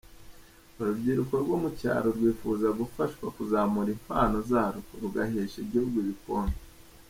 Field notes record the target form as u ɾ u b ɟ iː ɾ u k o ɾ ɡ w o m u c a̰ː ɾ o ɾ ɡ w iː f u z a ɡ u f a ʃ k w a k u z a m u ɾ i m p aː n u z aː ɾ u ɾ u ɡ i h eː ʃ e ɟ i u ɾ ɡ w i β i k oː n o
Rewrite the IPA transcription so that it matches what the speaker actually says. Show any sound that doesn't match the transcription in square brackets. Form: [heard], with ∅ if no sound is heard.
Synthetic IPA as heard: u ɾ u b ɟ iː ɾ u k o ɾ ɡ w o m u c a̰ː ɾ o ɾ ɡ w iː f u z a ɡ u f a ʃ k w a k u z a m u ɾ i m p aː n [o] z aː ɾ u ɾ u ɡ [a] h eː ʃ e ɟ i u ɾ ɡ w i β i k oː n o